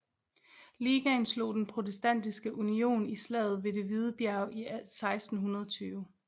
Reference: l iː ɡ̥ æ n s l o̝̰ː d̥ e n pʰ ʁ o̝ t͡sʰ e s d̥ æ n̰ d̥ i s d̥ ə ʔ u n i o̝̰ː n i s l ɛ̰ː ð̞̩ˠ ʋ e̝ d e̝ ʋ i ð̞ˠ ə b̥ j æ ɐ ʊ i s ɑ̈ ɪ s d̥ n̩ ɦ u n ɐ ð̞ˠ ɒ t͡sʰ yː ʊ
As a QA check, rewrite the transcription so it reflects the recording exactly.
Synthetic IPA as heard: l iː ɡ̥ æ n s l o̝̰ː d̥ e n pʰ ʁ o̝ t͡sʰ e s d̥ æ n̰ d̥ i s ɡ̥ ə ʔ u n i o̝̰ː n i s l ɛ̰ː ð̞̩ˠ ʋ e̝ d e̝ ʋ i ð̞ˠ ə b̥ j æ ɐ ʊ i s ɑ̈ ɪ s d̥ n̩ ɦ u n ɐ ð̞ˠ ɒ t͡sʰ yː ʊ